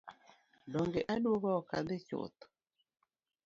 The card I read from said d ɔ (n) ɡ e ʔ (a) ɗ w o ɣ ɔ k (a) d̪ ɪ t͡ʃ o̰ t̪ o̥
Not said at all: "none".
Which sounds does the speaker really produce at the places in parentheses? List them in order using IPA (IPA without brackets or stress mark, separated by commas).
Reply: ŋ, a, a